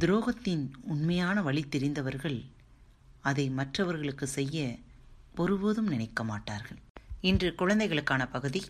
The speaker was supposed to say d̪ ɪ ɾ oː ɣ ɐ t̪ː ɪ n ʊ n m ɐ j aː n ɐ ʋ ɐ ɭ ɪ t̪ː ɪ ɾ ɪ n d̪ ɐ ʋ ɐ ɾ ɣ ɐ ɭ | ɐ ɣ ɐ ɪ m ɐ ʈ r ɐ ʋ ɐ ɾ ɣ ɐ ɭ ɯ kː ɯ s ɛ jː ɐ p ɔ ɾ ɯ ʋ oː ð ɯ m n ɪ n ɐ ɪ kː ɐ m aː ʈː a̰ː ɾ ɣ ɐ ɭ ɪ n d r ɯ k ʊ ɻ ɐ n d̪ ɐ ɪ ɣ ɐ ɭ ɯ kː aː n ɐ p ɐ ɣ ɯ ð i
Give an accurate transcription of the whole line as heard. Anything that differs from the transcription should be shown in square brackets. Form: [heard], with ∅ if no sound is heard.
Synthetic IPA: d̪ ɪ ɾ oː ɣ ɐ t̪ː ɪ n ʊ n m ɐ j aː n ɐ ʋ ɐ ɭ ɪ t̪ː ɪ ɾ ɪ n d̪ ɐ ʋ ɐ ɾ ɣ ɐ ɭ | ɐ [ð] ɐ ɪ m ɐ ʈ r ɐ ʋ ɐ ɾ ɣ ɐ ɭ ɯ kː ɯ s ɛ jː ɐ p ɔ ɾ ɯ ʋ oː ð ɯ m n ɪ n ɐ ɪ kː ɐ m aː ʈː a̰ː ɾ ɣ ɐ ɭ ɪ n d r ɯ k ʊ ɻ ɐ n d̪ ɐ ɪ ɣ ɐ ɭ ɯ kː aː n ɐ p ɐ ɣ ɯ ð i